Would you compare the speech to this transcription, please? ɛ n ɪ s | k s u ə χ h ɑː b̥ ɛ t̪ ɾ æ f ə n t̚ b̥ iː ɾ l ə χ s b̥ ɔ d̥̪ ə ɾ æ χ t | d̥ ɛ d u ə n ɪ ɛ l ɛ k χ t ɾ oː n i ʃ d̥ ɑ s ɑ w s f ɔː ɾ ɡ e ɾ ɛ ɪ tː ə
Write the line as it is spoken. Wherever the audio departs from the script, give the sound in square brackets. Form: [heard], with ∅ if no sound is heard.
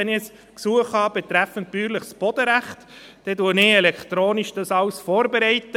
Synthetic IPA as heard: ɛ n ɪ s | k s u ə χ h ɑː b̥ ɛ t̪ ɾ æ f ə n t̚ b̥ [yː] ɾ l ə χ s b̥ ɔ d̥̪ ə ɾ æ χ t | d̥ ɛ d u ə n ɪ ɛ l ɛ k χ t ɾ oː n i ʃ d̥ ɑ s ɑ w s f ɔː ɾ [b] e ɾ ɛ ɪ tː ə